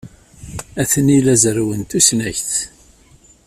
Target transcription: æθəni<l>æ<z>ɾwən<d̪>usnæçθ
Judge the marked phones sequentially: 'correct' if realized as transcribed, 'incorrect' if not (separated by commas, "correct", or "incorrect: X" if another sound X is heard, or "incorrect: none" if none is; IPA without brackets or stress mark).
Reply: correct, correct, incorrect: t̪